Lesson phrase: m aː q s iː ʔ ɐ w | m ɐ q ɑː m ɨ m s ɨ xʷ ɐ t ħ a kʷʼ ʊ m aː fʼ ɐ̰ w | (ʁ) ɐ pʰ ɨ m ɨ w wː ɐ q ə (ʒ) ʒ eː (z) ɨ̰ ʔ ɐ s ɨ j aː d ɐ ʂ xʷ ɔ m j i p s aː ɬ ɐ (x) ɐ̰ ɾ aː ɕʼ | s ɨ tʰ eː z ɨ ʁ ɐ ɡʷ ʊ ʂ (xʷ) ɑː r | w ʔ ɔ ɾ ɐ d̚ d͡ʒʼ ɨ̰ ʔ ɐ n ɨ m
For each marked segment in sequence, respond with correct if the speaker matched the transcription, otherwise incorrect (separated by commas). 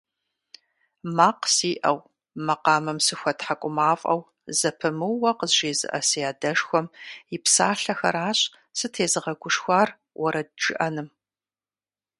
incorrect, incorrect, correct, correct, correct